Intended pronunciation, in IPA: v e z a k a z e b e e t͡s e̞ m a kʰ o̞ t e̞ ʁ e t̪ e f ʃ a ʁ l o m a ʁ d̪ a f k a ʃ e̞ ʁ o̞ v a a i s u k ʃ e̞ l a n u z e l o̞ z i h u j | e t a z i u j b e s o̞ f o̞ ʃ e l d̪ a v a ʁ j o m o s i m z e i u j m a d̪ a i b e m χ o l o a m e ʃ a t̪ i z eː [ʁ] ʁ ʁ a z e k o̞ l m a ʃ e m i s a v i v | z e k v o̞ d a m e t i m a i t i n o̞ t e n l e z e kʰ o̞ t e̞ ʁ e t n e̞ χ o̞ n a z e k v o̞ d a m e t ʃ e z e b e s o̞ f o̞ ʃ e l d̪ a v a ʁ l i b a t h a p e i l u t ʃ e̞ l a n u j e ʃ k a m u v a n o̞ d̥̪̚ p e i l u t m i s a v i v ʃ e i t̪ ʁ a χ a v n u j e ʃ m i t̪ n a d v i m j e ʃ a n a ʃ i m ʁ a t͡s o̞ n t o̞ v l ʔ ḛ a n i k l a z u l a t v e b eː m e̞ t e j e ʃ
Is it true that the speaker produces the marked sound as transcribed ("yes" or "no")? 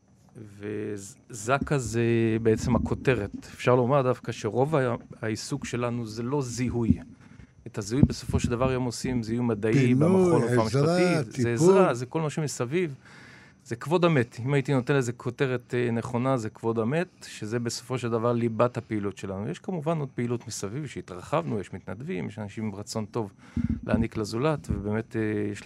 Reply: no